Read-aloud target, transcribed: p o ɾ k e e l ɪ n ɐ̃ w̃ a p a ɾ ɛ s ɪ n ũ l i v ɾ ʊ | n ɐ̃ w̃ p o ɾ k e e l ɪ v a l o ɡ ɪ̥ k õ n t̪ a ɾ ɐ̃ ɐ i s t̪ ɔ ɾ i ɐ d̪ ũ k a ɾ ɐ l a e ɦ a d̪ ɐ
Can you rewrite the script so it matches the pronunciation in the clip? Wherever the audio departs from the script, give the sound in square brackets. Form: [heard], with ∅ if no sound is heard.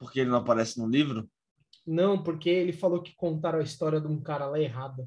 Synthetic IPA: p o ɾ k e e l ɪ n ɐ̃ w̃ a p a ɾ ɛ s ɪ n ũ l i v ɾ ʊ | n ɐ̃ w̃ p o ɾ k e e l ɪ [f] a l o [k] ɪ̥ k õ n t̪ a ɾ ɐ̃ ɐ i s t̪ ɔ ɾ i ɐ d̪ ũ k a ɾ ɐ l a e ɦ a d̪ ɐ